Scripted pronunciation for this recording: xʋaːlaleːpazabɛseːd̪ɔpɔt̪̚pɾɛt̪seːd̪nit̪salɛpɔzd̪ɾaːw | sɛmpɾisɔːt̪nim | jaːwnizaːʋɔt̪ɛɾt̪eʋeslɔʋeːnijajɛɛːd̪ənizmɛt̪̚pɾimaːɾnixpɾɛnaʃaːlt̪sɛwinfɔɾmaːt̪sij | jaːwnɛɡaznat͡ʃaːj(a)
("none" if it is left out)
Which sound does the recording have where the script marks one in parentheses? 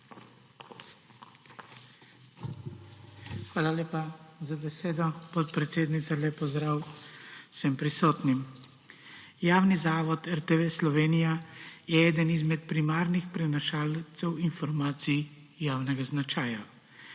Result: a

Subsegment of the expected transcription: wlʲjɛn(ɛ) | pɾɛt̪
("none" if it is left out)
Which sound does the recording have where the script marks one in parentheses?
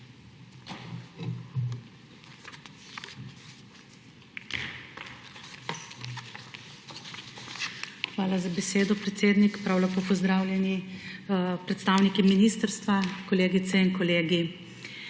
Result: i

